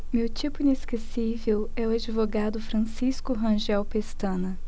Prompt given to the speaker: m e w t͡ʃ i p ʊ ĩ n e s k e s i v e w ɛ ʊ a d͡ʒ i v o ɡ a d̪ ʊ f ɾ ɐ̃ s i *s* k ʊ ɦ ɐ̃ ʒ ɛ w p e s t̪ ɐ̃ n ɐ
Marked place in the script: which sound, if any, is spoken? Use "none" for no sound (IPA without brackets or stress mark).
s